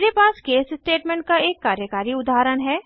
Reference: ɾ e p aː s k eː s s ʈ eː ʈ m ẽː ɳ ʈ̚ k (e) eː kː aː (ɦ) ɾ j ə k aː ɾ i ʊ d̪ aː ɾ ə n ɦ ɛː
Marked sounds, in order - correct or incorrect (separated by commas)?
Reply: incorrect, incorrect